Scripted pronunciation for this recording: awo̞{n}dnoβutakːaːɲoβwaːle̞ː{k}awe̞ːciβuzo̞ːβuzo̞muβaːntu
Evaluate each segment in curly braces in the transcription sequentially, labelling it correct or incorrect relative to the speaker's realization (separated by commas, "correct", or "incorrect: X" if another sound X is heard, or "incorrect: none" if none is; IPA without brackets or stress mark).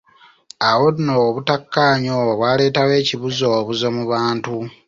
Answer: incorrect: none, incorrect: t